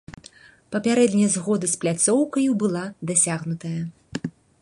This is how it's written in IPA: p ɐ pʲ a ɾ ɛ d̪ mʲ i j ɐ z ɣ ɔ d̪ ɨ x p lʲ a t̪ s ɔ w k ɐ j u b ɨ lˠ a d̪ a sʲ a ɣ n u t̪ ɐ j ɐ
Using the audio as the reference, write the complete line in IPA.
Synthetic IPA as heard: p ɐ pʲ a ɾ ɛ d̪ nʲ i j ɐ z ɣ ɔ d̪ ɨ s p lʲ a t̪ s ɔ w k ɐ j u b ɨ lˠ a d̪ a sʲ a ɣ n u t̪ ɐ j ɐ